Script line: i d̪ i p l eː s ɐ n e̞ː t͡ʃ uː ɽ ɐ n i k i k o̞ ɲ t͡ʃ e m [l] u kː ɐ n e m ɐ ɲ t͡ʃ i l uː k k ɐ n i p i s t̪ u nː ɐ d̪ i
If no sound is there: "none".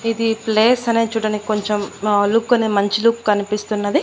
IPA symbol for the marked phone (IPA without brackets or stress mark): l